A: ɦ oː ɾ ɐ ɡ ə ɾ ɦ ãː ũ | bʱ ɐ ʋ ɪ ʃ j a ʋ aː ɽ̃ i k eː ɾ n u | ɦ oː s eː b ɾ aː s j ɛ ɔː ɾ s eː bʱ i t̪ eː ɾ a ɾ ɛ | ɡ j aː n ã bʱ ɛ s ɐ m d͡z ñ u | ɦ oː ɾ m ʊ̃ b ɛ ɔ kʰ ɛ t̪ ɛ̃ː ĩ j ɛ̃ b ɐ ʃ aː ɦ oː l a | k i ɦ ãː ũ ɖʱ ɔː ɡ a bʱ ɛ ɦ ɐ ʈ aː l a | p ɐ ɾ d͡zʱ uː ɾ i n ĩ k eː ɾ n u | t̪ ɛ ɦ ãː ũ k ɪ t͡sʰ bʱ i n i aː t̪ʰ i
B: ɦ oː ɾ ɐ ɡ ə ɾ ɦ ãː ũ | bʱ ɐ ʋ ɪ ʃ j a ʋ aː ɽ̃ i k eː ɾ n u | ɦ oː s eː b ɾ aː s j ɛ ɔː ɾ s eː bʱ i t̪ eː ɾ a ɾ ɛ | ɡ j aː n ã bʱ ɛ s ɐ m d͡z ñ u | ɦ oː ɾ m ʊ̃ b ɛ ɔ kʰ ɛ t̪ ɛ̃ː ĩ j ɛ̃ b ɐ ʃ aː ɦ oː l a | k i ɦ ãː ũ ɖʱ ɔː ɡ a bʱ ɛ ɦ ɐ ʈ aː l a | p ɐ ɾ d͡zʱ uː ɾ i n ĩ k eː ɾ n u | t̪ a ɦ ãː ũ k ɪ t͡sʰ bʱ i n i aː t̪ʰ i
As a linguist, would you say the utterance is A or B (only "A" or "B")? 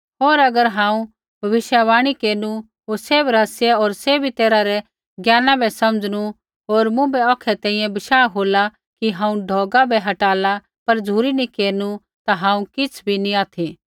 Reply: B